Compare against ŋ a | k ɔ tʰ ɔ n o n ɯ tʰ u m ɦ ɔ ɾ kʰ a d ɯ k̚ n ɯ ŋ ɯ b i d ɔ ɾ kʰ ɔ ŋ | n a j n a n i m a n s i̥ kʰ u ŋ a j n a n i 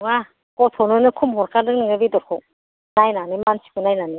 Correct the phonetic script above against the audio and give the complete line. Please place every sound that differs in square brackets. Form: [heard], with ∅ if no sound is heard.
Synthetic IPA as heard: ŋ a | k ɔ tʰ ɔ n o n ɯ [kʰ] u m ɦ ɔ ɾ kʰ a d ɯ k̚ n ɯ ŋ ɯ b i d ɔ ɾ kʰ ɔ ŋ | n a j n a n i m a n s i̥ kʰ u [n] a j n a n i